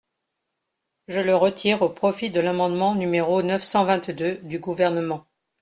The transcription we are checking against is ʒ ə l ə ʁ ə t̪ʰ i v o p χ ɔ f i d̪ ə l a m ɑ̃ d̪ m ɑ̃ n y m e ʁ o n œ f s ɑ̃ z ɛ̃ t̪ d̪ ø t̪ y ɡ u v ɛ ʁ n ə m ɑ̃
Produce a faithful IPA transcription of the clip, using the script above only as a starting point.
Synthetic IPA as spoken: ʒ ə l ə ʁ ə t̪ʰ i ʁ o p χ ɔ f i d̪ ə l a m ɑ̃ d̪ m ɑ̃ n y m e ʁ o n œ f s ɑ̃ v ɛ̃ t̪ d̪ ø d̪ y ɡ u v ɛ ʁ n ə m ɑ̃